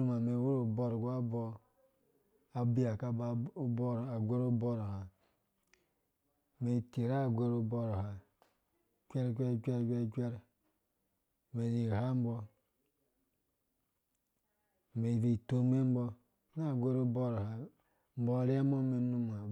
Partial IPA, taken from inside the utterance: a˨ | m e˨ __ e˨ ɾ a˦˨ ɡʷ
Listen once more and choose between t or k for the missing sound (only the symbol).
t